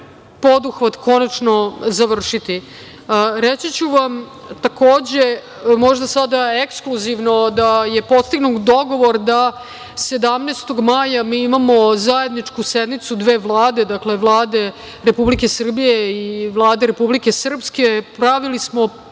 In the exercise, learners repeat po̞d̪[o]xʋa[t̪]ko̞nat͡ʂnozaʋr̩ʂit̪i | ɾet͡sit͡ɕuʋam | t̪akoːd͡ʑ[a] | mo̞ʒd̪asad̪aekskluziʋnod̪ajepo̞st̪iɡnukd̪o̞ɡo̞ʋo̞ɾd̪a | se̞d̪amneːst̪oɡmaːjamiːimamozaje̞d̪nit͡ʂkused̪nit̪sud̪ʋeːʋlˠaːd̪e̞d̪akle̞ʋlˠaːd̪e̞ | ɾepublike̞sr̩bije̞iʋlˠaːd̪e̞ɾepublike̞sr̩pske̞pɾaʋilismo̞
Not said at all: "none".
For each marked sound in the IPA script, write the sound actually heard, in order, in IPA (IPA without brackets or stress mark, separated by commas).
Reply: u, t̪, e